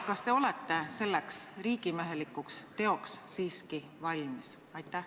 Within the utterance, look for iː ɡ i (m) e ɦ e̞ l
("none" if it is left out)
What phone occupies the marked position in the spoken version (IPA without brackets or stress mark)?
m